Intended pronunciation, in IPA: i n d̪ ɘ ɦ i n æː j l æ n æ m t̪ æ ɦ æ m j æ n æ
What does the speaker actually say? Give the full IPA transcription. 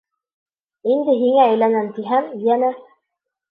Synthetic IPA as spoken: i n d̪ ɘ ɦ i ŋ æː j l æ n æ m t̪ i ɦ æ m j æ n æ